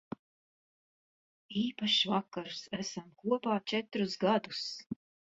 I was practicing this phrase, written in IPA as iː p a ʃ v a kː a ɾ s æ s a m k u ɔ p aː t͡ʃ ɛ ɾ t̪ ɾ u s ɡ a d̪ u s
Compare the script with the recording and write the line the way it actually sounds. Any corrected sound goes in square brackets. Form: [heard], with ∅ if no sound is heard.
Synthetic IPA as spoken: iː p a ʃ v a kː a ɾ s æ s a m k u ɔ p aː t͡ʃ ɛ [∅] t̪ ɾ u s ɡ a d̪ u s

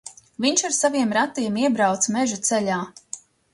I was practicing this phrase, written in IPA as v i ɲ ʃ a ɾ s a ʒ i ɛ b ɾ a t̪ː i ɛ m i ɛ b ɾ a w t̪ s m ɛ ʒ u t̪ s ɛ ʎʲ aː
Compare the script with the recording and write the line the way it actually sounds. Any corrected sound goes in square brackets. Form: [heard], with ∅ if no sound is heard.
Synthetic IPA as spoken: v i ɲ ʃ a ɾ s a [v] i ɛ [m] ɾ a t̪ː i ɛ m i ɛ b ɾ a w t̪ s m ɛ ʒ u t̪ s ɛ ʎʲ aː

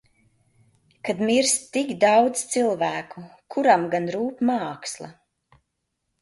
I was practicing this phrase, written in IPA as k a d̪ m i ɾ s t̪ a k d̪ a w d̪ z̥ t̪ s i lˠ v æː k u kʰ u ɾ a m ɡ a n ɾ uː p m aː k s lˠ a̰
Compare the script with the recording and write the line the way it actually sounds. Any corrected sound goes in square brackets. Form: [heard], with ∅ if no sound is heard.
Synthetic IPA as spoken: k a d̪ m i ɾ s t̪ [i] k d̪ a w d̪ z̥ t̪ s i lˠ v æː k u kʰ u ɾ a m ɡ a n ɾ uː p m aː k s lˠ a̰

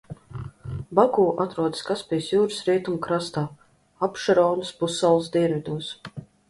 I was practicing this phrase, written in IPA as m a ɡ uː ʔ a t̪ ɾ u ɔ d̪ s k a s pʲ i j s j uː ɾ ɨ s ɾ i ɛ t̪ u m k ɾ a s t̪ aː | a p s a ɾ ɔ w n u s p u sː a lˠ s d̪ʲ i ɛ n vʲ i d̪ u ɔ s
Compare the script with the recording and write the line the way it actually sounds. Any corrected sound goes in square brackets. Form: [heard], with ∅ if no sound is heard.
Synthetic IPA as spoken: [b] a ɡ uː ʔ a t̪ ɾ u ɔ d̪ s k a s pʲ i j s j uː ɾ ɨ s ɾ i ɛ t̪ u m k ɾ a s t̪ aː | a p [ʃ] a ɾ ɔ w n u s p u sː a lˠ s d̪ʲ i ɛ n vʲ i d̪ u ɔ s

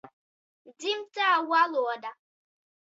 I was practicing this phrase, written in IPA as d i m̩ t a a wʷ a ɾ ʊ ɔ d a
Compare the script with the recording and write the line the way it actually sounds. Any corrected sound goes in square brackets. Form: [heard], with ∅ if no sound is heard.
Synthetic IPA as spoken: d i m̩ t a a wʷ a [l] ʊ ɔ d a

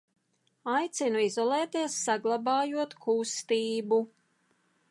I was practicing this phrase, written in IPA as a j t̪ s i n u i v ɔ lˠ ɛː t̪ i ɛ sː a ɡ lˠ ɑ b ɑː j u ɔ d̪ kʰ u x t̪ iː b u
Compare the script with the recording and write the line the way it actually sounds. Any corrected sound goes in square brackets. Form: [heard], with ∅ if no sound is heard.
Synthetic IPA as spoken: a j t̪ s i n u i [z] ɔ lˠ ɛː t̪ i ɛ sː a ɡ lˠ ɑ b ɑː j u ɔ [t̪] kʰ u [s] t̪ iː b u

